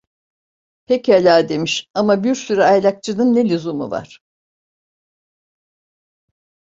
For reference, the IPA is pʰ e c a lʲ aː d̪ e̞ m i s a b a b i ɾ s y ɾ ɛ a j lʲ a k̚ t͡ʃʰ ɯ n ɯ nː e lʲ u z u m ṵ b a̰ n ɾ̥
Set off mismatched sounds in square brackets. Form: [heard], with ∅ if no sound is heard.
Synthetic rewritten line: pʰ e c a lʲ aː d̪ e̞ m i [ʃ] a [m] a b i ɾ s y ɾ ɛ a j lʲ a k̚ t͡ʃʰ ɯ n ɯ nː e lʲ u z u m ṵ [v] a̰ [∅] ɾ̥